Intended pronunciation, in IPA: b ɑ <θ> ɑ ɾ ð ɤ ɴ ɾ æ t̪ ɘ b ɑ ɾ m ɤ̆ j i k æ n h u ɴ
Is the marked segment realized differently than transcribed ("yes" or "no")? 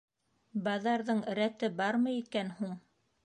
yes